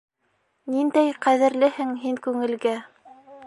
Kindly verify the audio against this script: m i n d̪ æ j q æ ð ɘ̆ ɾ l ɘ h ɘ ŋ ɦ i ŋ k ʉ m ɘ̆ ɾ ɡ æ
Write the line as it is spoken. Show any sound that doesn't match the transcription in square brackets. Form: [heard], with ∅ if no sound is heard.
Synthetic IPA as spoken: [n] i n d̪ æ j q æ ð ɘ̆ ɾ l ɘ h ɘ ŋ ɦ i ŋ k ʉ [ŋ] ɘ̆ [l] ɡ æ